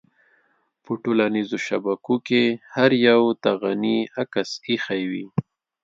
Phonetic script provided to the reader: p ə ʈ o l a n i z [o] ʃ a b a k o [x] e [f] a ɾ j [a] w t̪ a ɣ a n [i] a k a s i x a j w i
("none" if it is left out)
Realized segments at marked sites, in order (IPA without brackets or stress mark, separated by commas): o, k, h, a, i